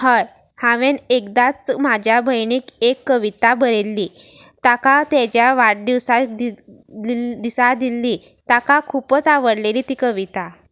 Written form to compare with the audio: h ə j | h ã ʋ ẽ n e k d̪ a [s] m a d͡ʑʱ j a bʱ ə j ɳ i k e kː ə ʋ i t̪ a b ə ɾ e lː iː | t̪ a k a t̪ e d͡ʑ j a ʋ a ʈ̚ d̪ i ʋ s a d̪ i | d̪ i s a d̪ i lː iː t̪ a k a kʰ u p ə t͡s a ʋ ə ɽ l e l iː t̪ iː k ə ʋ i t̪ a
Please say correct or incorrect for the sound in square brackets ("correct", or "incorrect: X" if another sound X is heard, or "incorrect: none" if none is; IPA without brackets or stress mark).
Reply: incorrect: t͡s